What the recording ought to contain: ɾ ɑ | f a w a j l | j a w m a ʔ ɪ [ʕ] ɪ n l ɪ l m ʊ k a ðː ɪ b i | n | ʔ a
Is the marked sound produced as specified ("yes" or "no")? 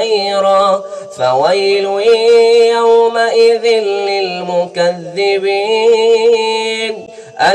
no